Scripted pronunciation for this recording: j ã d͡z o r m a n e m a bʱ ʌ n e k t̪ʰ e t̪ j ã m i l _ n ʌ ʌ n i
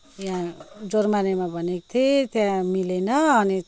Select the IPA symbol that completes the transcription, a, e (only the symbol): e